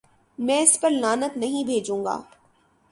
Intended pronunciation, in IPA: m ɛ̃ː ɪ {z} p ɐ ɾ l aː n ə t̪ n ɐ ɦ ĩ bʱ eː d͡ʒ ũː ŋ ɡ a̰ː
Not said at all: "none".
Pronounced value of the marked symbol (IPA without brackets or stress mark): s